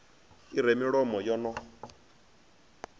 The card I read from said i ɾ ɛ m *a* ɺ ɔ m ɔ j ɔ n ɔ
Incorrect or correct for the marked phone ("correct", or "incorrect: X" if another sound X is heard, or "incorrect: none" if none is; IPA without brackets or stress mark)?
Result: incorrect: i